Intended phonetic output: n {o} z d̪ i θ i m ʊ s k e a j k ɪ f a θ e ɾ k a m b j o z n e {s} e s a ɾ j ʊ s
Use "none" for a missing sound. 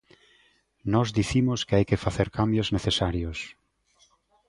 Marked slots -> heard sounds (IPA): ɔ, θ

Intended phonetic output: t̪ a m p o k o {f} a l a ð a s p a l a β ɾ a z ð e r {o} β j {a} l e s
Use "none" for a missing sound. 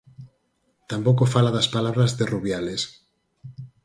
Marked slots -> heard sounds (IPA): f, u, a

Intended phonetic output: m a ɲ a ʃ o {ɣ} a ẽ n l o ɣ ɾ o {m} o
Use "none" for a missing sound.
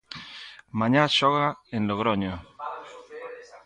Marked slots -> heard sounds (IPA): ɣ, ɲ

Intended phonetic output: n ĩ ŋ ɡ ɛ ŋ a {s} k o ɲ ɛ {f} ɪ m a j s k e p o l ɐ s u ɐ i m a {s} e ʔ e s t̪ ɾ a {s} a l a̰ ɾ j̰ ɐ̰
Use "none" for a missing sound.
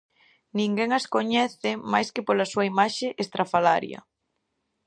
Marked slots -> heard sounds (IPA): s, θ, ʃ, f

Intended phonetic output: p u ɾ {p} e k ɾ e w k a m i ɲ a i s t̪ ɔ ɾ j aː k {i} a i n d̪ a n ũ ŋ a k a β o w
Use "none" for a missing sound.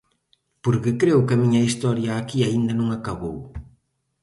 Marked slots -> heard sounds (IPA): k, i

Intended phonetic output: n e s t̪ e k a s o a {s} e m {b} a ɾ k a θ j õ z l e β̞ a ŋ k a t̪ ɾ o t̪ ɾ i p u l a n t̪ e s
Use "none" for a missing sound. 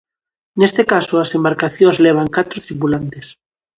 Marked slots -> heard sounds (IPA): s, b

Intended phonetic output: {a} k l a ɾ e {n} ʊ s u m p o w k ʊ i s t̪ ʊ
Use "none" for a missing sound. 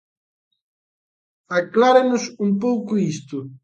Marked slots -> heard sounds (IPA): a, n

